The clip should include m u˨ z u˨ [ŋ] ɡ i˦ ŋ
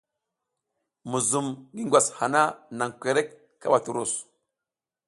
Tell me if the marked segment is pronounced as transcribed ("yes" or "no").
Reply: no